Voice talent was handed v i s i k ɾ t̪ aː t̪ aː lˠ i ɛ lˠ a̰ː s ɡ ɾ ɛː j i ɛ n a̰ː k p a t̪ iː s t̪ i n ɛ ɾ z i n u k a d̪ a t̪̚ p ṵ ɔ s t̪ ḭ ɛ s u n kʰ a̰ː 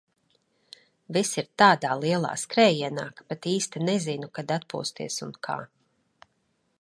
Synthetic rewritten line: v i s i ɾ t̪ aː d̪ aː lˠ i ɛ lˠ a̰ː s k ɾ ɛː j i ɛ n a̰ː k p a t̪ iː s t̪ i n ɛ z i n u k a d̪ a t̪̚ p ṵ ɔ s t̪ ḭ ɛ s u n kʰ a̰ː